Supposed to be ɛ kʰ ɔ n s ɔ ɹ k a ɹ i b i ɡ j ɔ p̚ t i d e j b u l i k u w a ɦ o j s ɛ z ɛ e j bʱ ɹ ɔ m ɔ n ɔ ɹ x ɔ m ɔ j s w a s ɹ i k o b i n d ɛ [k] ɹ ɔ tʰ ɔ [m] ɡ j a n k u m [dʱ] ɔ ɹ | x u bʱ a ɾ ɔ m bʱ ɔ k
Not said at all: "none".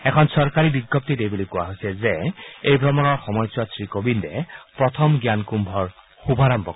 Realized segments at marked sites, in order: p, m, bʱ

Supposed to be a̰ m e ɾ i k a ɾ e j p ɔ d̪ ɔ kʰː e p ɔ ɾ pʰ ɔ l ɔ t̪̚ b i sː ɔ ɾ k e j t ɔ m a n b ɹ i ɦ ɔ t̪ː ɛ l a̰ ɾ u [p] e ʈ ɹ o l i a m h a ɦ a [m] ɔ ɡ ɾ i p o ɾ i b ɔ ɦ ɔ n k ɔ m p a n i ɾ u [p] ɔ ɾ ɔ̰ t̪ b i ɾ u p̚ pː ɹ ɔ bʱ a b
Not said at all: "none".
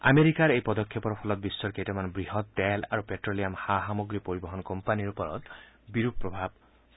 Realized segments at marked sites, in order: p, m, p

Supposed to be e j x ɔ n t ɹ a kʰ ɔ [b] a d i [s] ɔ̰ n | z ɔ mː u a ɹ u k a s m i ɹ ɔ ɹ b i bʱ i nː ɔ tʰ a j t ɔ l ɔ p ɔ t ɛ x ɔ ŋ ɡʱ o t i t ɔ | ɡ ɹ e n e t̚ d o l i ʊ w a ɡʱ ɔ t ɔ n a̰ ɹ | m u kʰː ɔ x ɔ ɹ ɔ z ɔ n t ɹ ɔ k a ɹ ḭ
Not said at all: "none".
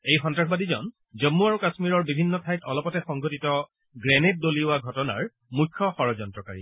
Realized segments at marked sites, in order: b, z

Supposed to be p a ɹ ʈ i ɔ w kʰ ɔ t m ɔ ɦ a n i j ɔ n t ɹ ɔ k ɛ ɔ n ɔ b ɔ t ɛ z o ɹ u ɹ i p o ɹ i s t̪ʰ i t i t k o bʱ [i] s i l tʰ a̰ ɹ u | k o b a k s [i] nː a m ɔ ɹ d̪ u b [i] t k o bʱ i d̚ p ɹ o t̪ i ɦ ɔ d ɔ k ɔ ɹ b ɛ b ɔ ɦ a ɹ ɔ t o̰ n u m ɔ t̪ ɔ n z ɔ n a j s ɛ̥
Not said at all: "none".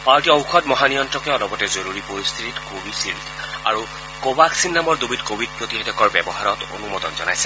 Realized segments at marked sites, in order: i, i, i

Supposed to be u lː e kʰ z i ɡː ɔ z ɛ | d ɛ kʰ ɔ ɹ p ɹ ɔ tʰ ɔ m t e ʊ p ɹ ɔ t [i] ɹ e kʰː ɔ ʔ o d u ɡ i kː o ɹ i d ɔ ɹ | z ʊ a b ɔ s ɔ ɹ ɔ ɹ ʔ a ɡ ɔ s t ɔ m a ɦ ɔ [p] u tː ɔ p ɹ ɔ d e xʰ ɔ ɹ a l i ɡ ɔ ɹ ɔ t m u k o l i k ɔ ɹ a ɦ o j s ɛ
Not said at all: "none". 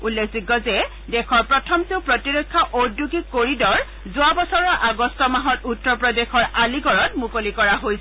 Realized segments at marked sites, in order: i, t

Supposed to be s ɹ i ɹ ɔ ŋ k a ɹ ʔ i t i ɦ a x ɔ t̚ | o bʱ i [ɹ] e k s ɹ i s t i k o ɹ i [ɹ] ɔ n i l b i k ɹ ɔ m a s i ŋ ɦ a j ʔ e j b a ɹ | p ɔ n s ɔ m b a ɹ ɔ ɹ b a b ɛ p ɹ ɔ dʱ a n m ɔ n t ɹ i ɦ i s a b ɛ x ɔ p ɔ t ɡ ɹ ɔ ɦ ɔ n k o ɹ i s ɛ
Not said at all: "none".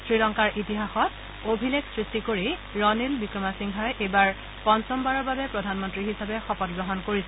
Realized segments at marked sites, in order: l, ɹ

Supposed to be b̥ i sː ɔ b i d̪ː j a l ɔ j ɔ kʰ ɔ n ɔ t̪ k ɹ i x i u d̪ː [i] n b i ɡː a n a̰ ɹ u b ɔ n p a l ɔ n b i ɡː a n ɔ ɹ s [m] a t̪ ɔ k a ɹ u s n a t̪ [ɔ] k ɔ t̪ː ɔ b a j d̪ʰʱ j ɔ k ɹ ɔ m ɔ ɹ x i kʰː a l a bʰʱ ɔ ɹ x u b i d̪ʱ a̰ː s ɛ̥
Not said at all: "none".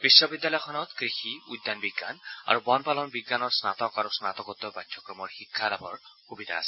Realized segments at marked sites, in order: a, n, ɔ

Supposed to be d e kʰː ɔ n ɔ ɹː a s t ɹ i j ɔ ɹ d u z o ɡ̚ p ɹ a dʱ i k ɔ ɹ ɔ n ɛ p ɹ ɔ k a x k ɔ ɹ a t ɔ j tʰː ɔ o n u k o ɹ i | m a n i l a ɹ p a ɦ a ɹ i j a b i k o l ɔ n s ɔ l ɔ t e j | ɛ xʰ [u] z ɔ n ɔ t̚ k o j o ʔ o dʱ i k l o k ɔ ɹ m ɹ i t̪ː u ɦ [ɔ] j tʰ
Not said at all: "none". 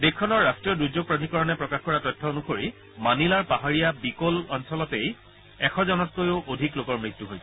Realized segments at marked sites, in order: ɔ, o

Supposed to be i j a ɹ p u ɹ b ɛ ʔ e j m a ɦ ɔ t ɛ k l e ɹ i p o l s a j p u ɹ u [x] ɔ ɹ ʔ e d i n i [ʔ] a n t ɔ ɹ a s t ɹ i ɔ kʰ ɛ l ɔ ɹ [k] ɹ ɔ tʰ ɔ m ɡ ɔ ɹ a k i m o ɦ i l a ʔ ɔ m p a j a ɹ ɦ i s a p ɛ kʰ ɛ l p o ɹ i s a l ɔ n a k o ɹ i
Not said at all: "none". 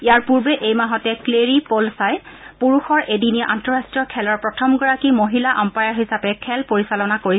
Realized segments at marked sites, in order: x, ʔ, p

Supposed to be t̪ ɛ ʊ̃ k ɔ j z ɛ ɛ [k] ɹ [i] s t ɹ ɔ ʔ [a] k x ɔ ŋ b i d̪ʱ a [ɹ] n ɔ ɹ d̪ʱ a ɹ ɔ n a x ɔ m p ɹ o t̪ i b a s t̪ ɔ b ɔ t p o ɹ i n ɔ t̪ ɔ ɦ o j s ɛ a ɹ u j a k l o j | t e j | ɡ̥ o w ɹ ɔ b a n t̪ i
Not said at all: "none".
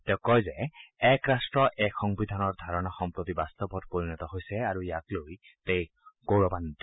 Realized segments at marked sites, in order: k, a, ɛ, none

